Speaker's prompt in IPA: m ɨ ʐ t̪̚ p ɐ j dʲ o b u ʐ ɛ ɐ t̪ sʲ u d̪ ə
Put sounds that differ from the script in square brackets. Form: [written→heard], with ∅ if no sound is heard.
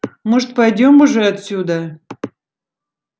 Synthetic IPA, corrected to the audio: m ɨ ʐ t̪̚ p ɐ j dʲ o [b→m] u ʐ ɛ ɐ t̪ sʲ u d̪ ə